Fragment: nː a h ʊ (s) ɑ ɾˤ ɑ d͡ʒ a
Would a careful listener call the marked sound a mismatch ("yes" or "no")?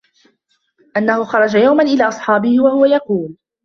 yes